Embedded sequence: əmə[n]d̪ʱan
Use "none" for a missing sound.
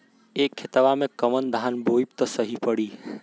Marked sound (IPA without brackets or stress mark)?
n